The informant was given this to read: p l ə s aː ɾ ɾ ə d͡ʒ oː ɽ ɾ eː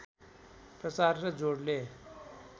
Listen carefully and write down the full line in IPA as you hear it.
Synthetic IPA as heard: p ɾ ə s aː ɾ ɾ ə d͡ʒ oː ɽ l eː